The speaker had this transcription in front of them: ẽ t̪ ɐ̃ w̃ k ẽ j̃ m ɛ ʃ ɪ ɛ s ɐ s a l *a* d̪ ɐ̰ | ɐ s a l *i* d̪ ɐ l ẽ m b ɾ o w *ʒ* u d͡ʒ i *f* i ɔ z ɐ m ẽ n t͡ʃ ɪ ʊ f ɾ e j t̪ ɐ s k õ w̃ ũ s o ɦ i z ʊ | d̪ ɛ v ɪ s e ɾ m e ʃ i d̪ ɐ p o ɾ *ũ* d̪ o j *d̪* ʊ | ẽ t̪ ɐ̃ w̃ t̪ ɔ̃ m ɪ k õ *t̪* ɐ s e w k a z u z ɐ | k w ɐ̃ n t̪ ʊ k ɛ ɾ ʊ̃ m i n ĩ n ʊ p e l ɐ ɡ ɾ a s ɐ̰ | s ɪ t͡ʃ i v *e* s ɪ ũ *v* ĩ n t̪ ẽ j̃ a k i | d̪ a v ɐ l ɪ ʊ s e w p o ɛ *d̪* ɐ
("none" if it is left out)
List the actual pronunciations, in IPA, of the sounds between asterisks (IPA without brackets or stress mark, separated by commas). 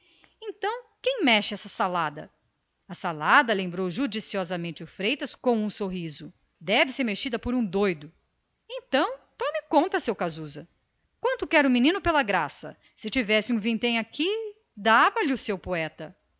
a, a, ʒ, s, ũ, d̪, t̪, ɛ, v, t̪